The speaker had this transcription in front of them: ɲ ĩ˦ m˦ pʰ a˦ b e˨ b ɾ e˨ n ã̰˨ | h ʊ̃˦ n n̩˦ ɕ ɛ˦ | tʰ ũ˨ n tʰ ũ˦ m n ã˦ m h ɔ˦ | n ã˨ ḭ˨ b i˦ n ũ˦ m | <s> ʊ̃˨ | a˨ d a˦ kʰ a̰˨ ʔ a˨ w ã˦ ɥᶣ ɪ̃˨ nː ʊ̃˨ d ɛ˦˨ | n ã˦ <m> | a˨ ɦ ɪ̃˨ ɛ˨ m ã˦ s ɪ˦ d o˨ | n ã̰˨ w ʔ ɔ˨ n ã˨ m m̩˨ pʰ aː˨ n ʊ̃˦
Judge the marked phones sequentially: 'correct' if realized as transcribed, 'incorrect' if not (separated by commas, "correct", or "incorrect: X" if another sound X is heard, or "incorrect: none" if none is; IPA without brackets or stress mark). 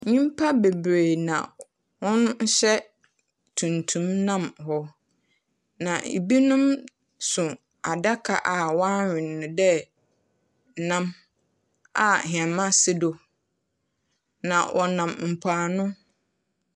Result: correct, correct